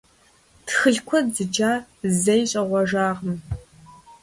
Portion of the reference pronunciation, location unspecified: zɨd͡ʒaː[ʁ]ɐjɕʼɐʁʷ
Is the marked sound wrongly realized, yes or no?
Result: yes